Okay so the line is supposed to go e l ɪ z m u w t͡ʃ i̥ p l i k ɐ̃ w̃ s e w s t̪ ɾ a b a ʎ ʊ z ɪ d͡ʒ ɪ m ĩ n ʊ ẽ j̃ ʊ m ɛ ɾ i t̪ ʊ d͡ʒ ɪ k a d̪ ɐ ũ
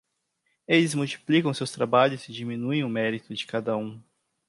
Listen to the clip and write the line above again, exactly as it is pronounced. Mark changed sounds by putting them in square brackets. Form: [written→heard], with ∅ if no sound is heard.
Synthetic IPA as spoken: e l ɪ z m u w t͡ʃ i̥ p l i k ɐ̃ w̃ s e w s t̪ ɾ a b a ʎ ʊ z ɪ d͡ʒ [ɪ→i] m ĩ n [ʊ→u] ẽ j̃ ʊ m ɛ ɾ i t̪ ʊ d͡ʒ ɪ k a d̪ ɐ ũ